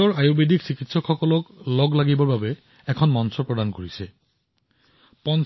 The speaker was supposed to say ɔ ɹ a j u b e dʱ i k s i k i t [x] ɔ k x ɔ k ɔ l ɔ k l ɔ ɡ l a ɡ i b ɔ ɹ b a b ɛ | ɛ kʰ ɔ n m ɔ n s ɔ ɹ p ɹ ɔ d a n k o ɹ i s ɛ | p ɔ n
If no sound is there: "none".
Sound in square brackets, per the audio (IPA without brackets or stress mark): s